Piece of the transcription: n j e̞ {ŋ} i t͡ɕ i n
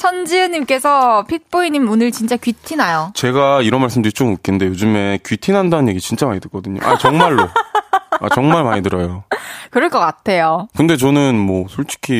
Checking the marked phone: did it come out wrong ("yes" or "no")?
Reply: yes